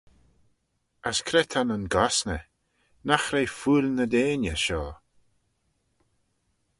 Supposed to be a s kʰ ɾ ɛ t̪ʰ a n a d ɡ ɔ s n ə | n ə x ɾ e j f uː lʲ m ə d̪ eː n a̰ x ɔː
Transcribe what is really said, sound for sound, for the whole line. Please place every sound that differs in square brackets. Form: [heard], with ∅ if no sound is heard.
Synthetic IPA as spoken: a s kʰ ɾ ɛ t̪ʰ a n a [n] ɡ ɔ s n ə | n [a] x ɾ e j f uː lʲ [n] ə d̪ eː n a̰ [ʃ] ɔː